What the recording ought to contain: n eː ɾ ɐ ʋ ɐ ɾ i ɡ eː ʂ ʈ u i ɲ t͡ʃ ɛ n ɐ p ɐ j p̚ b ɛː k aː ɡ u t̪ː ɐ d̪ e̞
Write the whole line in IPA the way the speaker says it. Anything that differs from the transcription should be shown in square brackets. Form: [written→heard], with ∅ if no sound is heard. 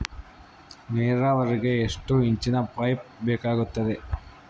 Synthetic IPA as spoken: n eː ɾ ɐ ʋ ɐ ɾ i ɡ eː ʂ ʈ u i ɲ t͡ʃ [ɛ→i] n ɐ p ɐ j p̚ b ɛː k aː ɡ u t̪ː ɐ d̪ e̞

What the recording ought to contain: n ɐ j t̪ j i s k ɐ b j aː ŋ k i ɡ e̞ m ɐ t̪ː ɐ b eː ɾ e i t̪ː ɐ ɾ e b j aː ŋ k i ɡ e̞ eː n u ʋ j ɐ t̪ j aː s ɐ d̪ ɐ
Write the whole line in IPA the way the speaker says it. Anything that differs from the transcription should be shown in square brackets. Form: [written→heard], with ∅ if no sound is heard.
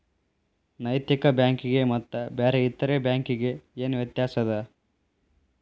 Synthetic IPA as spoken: n ɐ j t̪ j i [s→∅] k ɐ b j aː ŋ k i ɡ e̞ m ɐ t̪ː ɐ b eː ɾ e i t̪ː ɐ ɾ e b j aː ŋ k i ɡ e̞ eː n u ʋ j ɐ t̪ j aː s ɐ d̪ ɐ

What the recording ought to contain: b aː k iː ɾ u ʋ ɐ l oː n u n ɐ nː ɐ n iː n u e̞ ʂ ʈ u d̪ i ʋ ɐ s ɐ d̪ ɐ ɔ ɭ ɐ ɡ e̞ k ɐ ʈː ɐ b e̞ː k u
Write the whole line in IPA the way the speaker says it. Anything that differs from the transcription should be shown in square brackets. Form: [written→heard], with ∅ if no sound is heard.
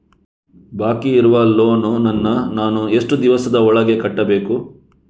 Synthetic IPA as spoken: b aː k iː ɾ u ʋ ɐ l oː n u n ɐ nː ɐ n [iː→aː] n u e̞ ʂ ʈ u d̪ i ʋ ɐ s ɐ d̪ ɐ ɔ ɭ ɐ ɡ e̞ k ɐ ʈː ɐ b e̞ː k u

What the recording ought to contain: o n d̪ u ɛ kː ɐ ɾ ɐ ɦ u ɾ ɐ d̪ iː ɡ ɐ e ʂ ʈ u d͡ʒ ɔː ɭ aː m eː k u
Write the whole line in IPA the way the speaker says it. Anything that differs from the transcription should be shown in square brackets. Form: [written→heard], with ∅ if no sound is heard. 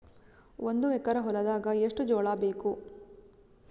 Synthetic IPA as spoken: o n d̪ u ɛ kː ɐ ɾ ɐ ɦ [u→ɔ] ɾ ɐ d̪ [iː→aː] ɡ ɐ e ʂ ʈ u d͡ʒ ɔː ɭ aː [m→b] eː k u

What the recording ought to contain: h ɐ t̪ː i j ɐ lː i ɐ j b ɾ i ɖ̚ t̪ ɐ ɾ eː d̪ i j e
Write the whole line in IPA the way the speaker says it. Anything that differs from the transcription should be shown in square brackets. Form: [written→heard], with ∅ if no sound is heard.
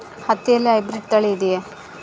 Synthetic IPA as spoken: h ɐ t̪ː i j ɐ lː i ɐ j b ɾ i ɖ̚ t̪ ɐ [ɾ→ɭ] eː d̪ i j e

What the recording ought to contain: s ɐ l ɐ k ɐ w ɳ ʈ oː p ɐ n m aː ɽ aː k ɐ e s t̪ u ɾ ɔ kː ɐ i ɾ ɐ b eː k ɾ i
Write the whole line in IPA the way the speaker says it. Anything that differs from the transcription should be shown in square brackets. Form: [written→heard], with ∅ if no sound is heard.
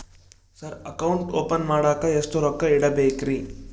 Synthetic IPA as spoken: s ɐ [l→ɾ] ɐ k ɐ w ɳ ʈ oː p ɐ n m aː ɽ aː k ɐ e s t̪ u ɾ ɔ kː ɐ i [ɾ→ɽ] ɐ b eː k ɾ i

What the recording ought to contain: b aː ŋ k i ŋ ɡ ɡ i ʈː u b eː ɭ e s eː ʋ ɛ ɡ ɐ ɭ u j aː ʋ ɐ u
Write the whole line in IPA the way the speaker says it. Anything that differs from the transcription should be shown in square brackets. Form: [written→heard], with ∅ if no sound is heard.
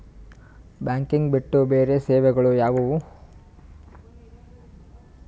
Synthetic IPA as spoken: b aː ŋ k i ŋ ɡ [ɡ→b] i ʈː u b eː [ɭ→ɾ] e s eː ʋ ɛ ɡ ɐ ɭ u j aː ʋ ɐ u

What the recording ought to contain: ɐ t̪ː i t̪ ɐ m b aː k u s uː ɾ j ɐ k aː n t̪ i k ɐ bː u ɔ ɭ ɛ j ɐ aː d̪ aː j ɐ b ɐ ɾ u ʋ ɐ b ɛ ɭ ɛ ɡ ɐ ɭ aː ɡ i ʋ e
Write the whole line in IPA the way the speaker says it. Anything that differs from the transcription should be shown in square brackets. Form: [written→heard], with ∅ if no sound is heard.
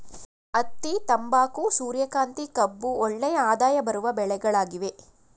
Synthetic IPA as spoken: ɐ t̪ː i t̪ ɐ m b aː k u s uː ɾ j ɐ k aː n t̪ i k ɐ bː u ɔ [ɭ→ɭː] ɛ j ɐ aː d̪ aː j ɐ b ɐ ɾ u ʋ ɐ b ɛ ɭ ɛ ɡ ɐ ɭ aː ɡ i ʋ e

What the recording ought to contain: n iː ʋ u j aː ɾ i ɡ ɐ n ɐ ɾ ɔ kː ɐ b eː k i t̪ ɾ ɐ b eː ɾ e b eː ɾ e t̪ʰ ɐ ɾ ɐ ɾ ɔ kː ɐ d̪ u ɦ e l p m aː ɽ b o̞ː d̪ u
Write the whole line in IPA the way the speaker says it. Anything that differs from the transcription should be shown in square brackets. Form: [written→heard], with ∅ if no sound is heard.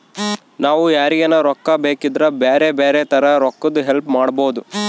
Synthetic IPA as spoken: n [iː→aː] ʋ u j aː ɾ i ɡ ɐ n ɐ ɾ ɔ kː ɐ b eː k i [t̪→d̪] ɾ ɐ b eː ɾ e b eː ɾ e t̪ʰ ɐ ɾ ɐ ɾ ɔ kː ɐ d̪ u ɦ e l p m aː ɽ b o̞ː d̪ u

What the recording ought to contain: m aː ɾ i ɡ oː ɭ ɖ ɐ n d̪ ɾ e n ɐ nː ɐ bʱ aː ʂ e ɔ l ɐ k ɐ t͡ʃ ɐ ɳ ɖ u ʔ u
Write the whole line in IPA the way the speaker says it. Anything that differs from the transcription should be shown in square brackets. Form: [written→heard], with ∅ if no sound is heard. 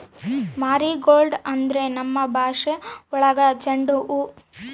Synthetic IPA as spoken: m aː ɾ i ɡ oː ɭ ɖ ɐ n d̪ ɾ e n ɐ [nː→mː] ɐ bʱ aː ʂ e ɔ [l→ɭ] ɐ [k→ɡ] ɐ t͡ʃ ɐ ɳ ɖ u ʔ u

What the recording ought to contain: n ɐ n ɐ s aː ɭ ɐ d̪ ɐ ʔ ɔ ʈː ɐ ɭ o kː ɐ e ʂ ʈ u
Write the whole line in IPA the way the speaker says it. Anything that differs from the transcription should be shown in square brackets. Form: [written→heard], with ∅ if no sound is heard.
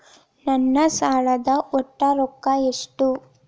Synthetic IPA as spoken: n ɐ [n→nː] ɐ s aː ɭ ɐ d̪ ɐ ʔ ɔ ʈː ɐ [ɭ→ɾ] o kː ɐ e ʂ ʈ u

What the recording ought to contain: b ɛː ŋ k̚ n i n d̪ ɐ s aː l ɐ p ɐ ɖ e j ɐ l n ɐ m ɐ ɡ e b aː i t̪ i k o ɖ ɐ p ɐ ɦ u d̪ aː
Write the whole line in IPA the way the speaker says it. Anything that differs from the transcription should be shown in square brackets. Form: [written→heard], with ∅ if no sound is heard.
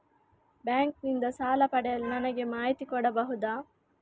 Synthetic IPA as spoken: b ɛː ŋ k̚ n i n d̪ ɐ s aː l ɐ p ɐ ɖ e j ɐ l n ɐ [m→n] ɐ ɡ e [b→m] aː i t̪ i k o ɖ ɐ [p→b] ɐ ɦ u d̪ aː

